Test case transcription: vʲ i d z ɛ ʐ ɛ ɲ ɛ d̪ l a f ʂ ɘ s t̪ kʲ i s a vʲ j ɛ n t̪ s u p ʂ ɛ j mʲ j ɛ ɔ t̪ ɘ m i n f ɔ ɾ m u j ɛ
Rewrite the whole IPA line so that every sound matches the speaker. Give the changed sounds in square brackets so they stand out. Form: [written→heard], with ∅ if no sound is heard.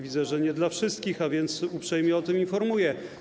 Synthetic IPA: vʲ i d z ɛ ʐ ɛ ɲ ɛ d̪ l a f ʂ ɘ s t̪ kʲ i [s→x] a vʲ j ɛ n t̪ s u p ʂ ɛ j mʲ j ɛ ɔ t̪ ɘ m i n f ɔ ɾ m u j ɛ